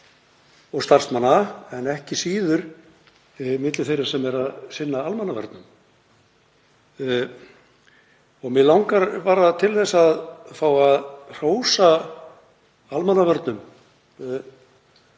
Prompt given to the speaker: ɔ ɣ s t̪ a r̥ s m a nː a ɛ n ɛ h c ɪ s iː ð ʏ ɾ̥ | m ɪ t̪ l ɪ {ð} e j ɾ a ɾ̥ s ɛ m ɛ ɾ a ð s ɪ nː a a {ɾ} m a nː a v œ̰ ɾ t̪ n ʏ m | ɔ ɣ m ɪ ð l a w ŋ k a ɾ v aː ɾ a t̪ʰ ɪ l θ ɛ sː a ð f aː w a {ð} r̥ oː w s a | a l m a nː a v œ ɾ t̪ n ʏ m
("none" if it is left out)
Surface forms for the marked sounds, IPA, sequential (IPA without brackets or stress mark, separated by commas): θ, l, ð